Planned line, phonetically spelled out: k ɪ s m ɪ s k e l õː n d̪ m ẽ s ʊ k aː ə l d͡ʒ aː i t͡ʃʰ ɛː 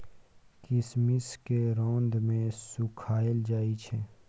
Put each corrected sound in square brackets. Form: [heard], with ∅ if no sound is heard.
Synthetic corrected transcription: k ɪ s m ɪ s k e [ɾ] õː n d̪ m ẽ s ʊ [kʰ] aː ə l d͡ʒ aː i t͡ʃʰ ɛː